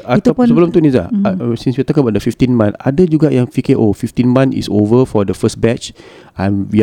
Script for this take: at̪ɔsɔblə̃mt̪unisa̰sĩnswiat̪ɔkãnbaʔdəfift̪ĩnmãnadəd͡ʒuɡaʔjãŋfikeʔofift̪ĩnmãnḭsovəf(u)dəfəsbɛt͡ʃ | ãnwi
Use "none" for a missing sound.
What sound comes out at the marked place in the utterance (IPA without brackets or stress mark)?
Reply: ɔ